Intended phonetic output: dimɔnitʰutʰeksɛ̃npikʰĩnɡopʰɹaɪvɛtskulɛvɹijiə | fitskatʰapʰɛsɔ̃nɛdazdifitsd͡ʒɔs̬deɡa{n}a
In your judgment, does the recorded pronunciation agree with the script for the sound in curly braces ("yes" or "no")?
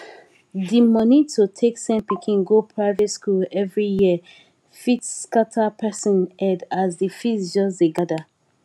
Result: no